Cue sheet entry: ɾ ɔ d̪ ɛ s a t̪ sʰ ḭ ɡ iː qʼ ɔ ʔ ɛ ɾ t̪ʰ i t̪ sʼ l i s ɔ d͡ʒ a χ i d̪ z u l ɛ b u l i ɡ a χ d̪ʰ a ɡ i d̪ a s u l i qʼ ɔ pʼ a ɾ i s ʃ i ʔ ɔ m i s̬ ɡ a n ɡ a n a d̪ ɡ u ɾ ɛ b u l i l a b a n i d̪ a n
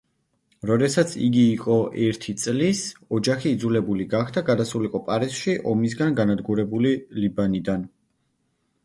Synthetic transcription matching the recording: ɾ ɔ d̪ ɛ s a t̪ sʰ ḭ ɡ iː qʼ ɔ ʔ ɛ ɾ t̪ʰ i t̪ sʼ l i s ɔ d͡ʒ a χ iː d̪ z u l ɛ b u l i ɡ a χ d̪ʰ a ɡ a d̪ a s u l i qʼ ɔ pʼ a ɾ i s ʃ i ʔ ɔ m i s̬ ɡ a n ɡ a n a d̪ ɡ u ɾ ɛ b u l i l i b a n i d̪ a n